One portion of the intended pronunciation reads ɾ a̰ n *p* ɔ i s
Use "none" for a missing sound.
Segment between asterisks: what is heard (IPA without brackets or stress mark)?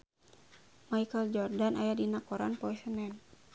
p